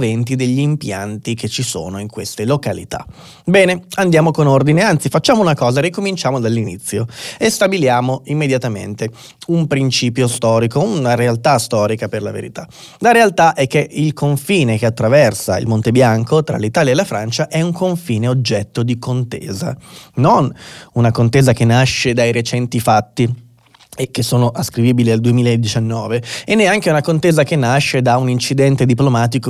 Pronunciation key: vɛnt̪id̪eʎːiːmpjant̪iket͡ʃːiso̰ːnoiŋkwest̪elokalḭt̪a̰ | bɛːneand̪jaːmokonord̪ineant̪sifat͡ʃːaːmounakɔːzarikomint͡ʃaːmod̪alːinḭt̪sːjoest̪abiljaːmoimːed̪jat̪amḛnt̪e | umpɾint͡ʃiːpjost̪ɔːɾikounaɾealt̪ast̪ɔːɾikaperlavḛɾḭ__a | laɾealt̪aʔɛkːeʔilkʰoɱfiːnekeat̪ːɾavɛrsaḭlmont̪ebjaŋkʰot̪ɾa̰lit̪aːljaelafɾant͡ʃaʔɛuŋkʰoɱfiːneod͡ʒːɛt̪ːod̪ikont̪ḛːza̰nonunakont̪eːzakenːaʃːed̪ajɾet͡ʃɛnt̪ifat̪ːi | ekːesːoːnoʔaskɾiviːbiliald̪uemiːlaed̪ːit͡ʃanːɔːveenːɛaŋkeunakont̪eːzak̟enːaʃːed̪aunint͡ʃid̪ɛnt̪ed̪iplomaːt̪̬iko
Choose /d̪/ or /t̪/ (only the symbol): t̪